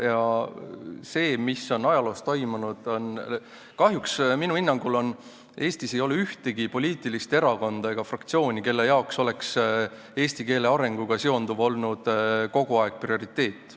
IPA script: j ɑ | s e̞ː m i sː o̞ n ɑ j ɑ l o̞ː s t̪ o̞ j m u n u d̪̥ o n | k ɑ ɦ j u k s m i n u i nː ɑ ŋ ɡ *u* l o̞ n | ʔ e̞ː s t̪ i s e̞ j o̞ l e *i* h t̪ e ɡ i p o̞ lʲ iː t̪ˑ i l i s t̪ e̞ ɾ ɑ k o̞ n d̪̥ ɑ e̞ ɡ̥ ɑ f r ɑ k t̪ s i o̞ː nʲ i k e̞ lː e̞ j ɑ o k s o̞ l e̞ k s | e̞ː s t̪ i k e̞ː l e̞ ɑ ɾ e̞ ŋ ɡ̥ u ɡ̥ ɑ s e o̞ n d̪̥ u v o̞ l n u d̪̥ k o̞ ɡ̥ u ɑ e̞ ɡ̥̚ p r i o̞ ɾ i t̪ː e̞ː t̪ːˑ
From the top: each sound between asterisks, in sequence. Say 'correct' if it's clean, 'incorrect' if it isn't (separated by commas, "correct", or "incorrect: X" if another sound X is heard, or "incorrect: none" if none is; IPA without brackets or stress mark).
correct, incorrect: y